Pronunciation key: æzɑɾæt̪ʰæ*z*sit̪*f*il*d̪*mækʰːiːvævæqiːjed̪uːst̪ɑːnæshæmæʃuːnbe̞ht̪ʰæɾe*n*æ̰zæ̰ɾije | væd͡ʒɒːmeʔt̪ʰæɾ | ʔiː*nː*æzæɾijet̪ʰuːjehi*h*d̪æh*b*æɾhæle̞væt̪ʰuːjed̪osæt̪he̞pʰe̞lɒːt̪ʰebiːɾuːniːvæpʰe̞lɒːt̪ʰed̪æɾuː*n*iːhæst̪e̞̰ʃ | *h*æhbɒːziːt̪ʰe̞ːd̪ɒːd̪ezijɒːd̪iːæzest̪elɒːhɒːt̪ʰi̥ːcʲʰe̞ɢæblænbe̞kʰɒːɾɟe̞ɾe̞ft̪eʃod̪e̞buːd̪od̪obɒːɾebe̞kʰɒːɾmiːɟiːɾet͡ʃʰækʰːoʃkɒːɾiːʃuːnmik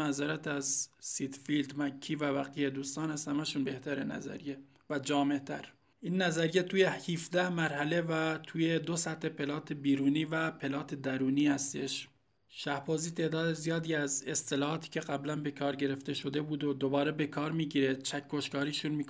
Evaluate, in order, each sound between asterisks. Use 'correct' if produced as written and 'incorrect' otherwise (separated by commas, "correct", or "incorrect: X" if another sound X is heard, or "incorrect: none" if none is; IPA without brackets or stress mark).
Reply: correct, correct, correct, correct, correct, incorrect: f, incorrect: m, correct, incorrect: ʃ